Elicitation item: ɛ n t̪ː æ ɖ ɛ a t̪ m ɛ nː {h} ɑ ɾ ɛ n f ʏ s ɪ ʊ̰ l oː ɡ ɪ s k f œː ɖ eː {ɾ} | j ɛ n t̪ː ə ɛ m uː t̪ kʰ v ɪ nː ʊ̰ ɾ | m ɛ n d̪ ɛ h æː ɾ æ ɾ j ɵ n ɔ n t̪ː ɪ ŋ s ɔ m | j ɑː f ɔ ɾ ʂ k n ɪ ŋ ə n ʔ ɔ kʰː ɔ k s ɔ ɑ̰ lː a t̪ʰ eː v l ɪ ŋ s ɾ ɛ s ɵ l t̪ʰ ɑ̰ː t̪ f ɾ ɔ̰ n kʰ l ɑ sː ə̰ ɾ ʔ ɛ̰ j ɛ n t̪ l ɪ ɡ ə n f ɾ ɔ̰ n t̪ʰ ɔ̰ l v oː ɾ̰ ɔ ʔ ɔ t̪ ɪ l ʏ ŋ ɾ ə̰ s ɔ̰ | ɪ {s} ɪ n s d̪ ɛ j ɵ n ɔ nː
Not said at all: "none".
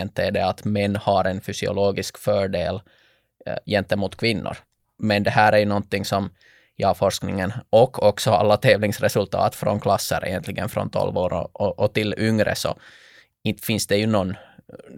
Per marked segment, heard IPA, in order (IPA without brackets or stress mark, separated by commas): h, l, f